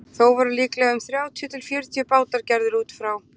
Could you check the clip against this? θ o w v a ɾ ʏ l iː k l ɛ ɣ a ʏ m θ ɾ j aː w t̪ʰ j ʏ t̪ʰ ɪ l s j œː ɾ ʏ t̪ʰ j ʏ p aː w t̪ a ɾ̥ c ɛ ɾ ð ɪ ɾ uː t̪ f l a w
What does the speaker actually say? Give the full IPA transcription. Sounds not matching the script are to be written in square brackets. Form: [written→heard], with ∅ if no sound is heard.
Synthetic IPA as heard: θ o w v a ɾ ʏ l iː k l ɛ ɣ a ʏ m θ ɾ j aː w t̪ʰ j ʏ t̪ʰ ɪ l [s→f] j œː ɾ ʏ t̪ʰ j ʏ p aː w t̪ a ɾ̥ c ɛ ɾ ð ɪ ɾ uː t̪ f [l→ɾ] a w